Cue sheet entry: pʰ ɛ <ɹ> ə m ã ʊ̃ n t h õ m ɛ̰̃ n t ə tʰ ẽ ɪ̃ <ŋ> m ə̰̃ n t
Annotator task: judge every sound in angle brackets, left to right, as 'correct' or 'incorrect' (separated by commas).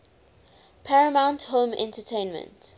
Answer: correct, incorrect